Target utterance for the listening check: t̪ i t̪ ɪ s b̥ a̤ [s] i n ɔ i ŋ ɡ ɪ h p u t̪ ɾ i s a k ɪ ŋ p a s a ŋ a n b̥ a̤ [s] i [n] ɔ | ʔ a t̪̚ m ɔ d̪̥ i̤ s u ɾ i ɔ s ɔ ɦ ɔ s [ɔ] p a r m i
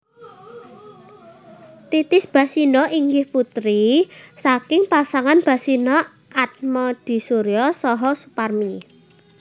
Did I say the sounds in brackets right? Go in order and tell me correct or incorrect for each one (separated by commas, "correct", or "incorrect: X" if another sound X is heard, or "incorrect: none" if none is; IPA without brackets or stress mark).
correct, correct, correct, incorrect: u